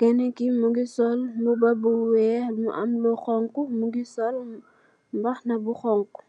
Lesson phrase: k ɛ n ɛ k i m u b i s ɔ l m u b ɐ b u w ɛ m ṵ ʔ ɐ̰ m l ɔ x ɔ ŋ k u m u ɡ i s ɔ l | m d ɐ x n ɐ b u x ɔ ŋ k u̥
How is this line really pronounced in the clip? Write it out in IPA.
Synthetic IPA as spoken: k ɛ n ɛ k i m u ɡ i s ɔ l m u b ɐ b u w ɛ m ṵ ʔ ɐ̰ m l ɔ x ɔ ŋ k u m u ɡ i s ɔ l | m b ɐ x n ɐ b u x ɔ ŋ k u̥